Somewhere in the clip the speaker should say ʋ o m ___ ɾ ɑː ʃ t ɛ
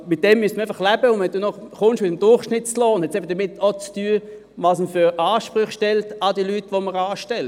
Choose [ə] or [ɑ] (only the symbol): ə